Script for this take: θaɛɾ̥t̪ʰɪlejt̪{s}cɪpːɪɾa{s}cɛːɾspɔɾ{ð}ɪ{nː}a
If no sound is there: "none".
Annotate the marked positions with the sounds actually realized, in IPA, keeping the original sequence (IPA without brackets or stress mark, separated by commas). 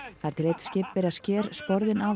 s, s, ð, n